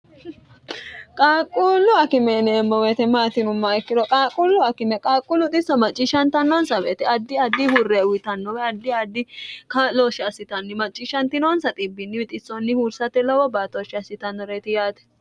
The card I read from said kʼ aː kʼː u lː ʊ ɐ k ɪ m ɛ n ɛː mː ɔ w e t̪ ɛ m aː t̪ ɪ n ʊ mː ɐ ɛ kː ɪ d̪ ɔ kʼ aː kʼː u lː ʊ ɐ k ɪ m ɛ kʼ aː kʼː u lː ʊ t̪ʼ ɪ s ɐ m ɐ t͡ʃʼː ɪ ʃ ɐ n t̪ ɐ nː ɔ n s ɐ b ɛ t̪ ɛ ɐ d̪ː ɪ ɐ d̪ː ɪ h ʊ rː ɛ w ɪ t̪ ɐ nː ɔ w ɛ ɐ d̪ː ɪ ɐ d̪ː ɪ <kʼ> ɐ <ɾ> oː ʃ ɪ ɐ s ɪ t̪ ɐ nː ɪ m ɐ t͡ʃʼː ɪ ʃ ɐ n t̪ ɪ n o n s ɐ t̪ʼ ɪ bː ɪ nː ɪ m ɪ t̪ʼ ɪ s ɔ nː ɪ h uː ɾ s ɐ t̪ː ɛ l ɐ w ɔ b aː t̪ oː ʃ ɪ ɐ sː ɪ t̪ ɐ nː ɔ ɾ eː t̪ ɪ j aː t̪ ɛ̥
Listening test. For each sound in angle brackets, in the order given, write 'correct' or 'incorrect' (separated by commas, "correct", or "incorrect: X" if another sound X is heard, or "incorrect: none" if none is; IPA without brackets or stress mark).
incorrect: k, incorrect: l